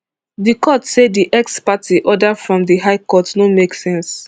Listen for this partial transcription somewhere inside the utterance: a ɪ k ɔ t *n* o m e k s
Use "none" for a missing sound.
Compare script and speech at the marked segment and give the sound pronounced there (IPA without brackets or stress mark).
n